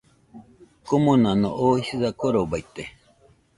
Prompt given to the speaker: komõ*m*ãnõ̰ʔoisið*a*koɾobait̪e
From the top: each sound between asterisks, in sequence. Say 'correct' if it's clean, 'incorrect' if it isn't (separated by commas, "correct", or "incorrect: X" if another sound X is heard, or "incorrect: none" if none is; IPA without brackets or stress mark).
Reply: incorrect: n, correct